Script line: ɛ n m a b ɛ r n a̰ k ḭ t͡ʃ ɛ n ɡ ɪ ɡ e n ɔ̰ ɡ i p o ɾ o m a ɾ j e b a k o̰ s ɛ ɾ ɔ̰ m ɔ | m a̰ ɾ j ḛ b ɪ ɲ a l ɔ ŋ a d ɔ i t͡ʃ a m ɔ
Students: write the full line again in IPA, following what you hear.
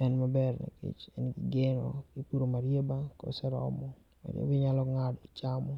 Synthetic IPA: ɛ n m a b ɛ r n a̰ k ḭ t͡ʃ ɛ n ɡ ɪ ɡ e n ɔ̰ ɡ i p u ɾ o m a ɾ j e b a k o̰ s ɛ ɾ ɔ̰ m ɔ | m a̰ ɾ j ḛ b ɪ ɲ a l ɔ ŋ a d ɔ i t͡ʃ a m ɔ

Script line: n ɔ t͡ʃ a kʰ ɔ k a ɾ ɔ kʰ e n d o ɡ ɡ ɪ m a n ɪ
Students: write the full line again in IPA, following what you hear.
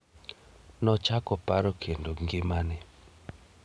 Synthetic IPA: n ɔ t͡ʃ a k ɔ p a ɾ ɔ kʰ e n d o ŋ ɡ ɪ m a n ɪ

